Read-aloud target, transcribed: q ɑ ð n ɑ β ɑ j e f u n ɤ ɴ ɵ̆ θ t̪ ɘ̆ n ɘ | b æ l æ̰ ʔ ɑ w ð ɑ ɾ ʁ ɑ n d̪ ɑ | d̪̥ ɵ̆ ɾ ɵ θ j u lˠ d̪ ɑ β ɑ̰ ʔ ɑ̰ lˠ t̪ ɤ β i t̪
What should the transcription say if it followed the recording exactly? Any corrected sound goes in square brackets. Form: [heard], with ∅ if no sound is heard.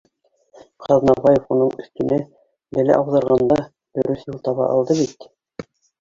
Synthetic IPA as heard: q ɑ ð n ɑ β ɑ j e f u n ɤ ɴ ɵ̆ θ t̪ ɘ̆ n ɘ | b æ l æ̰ ʔ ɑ w ð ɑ ɾ ʁ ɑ n d̪ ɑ | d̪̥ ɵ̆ ɾ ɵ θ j u lˠ [t̪] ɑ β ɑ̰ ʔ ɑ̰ lˠ [d̪] ɤ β i t̪